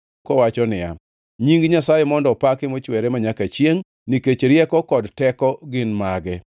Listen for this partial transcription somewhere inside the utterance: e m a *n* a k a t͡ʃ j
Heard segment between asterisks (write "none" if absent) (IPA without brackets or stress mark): ɲ